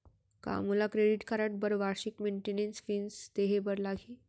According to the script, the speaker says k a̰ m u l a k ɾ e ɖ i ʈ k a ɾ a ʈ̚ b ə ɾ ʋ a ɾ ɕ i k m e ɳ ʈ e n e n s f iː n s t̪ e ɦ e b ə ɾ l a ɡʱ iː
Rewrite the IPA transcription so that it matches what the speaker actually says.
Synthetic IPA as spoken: k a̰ m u l a k ɾ e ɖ i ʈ k a ɾ a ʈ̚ b ə ɾ ʋ a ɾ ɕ i k m e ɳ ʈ e n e n s f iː n s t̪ e ɦ e b ə ɾ l a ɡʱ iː